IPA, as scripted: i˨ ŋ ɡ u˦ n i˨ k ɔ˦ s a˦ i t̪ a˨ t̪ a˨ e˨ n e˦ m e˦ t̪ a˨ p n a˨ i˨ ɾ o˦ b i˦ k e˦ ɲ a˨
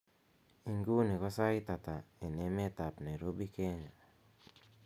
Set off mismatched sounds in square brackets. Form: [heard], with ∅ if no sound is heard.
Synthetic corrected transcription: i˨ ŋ ɡ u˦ n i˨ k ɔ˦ s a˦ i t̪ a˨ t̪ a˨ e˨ n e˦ m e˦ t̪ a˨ p n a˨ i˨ ɾ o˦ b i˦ k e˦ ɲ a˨